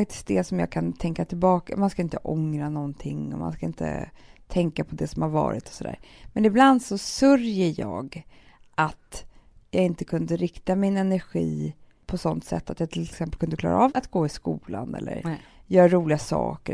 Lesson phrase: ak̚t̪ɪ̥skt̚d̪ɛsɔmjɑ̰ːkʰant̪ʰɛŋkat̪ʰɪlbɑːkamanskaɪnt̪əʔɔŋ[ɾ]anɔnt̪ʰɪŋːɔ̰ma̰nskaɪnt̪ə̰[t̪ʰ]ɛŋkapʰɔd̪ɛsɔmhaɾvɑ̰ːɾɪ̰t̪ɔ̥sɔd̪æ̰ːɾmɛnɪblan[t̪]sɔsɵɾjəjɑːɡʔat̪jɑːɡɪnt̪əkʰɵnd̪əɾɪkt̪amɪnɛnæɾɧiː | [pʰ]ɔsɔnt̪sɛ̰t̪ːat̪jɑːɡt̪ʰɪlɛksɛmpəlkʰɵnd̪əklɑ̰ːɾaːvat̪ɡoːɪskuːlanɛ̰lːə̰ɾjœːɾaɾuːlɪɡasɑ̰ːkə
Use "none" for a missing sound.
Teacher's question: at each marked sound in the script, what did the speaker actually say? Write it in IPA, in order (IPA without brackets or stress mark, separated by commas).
ɾ, t̪ʰ, d̪, pʰ